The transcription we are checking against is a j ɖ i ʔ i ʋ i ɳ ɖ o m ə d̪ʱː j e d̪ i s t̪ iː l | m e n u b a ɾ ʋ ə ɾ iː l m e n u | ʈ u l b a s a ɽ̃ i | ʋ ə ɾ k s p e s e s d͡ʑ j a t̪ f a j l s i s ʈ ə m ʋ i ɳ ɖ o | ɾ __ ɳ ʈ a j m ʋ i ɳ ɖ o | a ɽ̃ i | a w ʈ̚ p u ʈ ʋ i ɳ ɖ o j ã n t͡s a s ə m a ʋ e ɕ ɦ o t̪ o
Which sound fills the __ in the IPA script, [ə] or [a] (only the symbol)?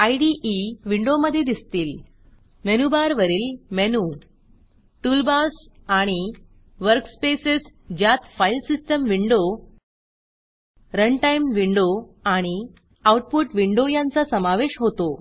ə